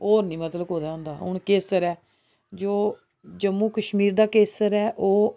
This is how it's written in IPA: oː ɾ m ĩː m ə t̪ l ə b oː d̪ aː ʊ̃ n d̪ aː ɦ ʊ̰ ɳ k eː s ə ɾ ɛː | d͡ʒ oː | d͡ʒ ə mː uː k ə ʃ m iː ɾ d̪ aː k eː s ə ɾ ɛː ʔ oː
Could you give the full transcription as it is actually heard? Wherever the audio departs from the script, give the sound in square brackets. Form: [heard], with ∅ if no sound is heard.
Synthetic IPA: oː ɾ [n] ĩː m ə t̪ l ə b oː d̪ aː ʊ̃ n d̪ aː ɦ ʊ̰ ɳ k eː s ə ɾ ɛː | d͡ʒ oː | d͡ʒ ə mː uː k ə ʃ m iː ɾ d̪ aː k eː s ə ɾ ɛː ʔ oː